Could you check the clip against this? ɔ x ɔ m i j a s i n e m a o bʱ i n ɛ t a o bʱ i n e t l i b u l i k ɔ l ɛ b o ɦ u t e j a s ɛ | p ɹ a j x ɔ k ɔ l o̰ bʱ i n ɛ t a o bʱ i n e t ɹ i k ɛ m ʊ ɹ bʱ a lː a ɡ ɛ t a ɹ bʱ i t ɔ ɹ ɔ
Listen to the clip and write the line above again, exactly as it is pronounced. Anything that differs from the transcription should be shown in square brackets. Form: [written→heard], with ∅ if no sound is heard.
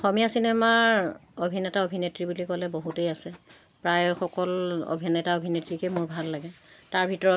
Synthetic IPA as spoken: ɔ x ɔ m i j a s i n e m a o bʱ i n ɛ t a o bʱ i n e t [l→ɹ] i b u l i k ɔ l ɛ b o ɦ u t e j a s ɛ | p ɹ a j x ɔ k ɔ l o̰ bʱ i n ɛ t a o bʱ i n e t ɹ i k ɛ m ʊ ɹ bʱ a lː a ɡ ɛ t a ɹ bʱ i t ɔ ɹ ɔ